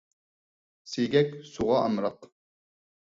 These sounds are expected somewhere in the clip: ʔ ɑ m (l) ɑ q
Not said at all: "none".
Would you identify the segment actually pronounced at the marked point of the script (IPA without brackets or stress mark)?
ɾ